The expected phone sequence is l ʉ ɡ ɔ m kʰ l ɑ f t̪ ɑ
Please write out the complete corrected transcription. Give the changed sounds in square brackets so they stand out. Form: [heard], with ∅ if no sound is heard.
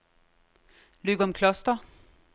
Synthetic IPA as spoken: l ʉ ɡ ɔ m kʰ l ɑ [s] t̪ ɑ